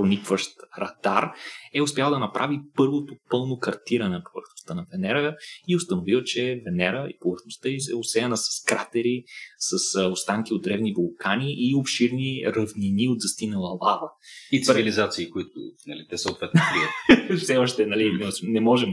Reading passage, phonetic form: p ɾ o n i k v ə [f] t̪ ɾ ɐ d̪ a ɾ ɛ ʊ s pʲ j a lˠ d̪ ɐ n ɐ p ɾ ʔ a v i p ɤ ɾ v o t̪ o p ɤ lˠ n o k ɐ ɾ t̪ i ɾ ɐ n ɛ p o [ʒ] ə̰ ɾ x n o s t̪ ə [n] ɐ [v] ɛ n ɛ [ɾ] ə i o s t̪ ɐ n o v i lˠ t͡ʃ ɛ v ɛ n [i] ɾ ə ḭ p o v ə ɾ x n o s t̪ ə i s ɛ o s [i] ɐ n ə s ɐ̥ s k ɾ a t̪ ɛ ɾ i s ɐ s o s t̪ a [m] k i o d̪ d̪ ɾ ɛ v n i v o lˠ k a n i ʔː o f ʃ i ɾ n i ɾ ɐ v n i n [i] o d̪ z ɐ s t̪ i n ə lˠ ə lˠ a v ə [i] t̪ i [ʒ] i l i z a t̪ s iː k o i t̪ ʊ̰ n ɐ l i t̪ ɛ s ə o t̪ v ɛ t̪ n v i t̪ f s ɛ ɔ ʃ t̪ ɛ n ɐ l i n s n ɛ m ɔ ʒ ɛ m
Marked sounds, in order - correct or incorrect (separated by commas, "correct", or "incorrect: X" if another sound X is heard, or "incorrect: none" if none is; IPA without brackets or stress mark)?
incorrect: ʃ, incorrect: v, correct, correct, correct, incorrect: ɛ, incorrect: ɛ, incorrect: ŋ, correct, correct, incorrect: v